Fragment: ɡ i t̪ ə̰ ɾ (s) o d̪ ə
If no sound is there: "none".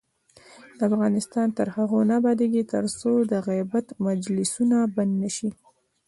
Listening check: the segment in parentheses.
s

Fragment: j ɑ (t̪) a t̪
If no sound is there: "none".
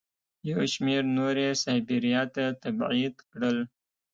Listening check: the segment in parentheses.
t̪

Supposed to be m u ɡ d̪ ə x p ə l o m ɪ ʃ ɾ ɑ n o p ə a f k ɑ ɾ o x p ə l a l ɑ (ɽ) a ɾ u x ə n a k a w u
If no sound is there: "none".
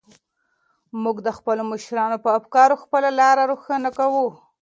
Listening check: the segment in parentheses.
ɾ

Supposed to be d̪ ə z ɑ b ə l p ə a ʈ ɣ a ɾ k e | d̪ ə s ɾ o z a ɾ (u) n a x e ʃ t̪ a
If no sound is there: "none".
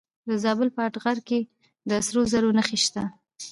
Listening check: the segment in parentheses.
o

